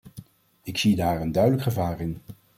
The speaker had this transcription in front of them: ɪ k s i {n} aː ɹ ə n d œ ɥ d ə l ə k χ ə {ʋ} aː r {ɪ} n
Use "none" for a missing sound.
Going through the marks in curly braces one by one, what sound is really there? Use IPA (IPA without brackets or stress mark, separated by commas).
d, v, ɪ